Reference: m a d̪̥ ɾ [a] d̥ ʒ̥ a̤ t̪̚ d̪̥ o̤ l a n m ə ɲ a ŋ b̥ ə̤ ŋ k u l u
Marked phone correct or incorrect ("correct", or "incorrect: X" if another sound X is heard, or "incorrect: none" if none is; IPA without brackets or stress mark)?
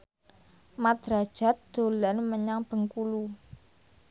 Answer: correct